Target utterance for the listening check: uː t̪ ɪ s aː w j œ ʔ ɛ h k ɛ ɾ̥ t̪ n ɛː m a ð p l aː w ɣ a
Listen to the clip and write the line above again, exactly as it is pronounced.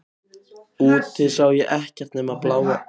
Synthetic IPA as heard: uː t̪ ɪ s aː w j ɛ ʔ ɛ h c ɛ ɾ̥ t̪ n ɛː m a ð p l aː w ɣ a